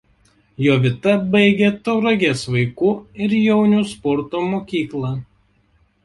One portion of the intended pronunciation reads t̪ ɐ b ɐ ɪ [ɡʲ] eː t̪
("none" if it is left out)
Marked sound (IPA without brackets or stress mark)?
ɡʲ